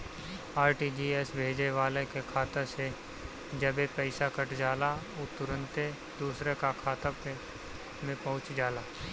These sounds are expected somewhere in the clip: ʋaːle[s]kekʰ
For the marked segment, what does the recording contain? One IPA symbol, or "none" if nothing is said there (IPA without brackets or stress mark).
none